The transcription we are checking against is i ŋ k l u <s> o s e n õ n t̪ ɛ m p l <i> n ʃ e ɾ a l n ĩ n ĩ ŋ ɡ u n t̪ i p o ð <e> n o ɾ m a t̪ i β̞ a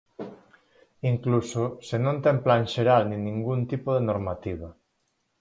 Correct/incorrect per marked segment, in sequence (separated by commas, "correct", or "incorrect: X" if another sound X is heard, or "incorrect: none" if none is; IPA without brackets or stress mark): correct, incorrect: a, correct